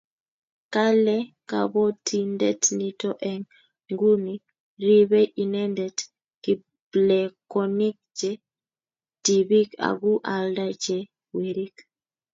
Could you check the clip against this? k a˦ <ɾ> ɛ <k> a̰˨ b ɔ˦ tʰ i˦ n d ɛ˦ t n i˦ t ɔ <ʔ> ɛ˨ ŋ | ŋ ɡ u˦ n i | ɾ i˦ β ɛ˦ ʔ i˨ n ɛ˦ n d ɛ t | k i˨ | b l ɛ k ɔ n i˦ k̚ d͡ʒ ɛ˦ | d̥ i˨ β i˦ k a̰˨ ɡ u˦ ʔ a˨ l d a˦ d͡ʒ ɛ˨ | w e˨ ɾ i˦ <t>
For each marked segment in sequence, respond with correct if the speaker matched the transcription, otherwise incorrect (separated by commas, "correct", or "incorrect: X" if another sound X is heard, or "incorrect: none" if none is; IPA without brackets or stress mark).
incorrect: l, correct, correct, incorrect: k